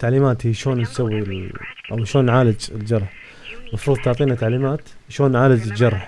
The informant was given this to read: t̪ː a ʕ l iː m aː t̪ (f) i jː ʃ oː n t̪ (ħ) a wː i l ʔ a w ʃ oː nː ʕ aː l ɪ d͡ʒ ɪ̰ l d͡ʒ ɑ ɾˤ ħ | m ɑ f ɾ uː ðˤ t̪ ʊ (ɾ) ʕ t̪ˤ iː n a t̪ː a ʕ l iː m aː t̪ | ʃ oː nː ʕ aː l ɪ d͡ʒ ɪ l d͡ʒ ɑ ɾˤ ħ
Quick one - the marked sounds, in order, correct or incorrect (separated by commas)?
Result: incorrect, incorrect, incorrect